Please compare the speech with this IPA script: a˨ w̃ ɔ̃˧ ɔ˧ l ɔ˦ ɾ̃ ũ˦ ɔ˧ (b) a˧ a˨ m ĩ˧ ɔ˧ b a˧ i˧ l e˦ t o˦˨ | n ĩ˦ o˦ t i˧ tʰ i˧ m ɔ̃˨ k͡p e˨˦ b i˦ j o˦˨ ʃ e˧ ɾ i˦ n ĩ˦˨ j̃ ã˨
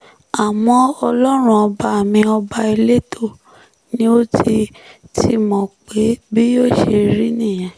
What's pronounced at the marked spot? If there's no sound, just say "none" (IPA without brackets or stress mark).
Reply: b